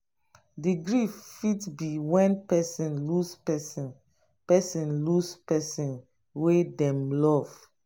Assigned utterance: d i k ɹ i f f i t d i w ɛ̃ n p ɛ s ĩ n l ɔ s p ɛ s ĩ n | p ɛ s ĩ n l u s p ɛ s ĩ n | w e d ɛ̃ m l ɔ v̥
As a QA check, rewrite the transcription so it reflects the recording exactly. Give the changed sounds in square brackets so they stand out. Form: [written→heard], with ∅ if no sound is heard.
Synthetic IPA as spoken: d i [k→ɡ] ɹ i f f i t [d→b] i w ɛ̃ n p ɛ s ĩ n l [ɔ→u] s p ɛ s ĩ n | p ɛ s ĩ n l u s p ɛ s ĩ n | w e d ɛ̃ m l ɔ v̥

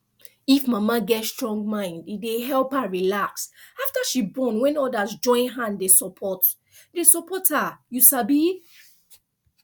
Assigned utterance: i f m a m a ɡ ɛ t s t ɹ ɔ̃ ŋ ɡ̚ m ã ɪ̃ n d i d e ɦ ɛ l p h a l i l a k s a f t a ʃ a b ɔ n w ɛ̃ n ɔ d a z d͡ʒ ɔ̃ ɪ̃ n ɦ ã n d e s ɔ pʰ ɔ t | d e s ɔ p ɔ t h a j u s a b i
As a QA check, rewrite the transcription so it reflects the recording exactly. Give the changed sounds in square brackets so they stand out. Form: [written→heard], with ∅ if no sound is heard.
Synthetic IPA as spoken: i f m a m a ɡ ɛ t s t ɹ ɔ̃ ŋ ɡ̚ m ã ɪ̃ n d i d e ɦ ɛ l p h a [l→ɹ] i l a k s a f t a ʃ [a→i] b ɔ n w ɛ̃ n ɔ d a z d͡ʒ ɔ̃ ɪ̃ n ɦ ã n d e s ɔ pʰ ɔ t | d e s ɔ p ɔ t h a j u s a b i

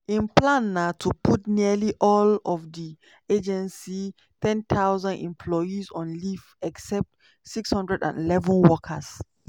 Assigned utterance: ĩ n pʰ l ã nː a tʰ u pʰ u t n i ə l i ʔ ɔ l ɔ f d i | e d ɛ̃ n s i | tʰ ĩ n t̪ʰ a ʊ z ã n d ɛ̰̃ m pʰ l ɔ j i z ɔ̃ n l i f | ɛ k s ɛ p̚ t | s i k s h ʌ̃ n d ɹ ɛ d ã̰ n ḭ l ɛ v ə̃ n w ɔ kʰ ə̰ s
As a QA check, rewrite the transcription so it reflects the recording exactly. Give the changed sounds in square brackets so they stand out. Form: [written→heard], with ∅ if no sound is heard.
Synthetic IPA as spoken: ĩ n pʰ l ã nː a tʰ u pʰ u t n i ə l i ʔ ɔ l ɔ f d i | e [d→d͡ʒ] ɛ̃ n s i | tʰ [ĩ→ɛ̃] n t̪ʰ a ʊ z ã n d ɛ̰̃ m pʰ l ɔ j i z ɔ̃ n l i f | ɛ k s ɛ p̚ t | s i k s h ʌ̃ n d ɹ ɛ d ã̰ n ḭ l ɛ v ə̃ n w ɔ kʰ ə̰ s

